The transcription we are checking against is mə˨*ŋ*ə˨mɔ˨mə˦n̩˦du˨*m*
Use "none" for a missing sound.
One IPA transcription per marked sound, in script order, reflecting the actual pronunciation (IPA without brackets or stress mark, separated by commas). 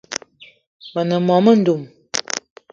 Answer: n, m